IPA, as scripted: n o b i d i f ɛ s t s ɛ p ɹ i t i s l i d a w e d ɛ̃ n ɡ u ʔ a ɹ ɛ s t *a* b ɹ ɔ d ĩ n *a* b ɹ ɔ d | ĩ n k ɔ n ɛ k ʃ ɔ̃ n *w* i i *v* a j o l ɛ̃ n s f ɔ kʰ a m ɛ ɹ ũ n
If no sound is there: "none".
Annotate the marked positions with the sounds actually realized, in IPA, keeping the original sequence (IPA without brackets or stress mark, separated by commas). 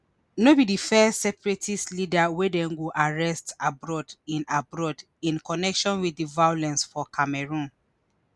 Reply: a, a, w, v